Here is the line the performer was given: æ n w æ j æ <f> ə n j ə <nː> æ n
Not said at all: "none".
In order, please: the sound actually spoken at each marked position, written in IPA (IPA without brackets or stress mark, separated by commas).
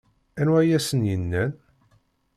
s, nː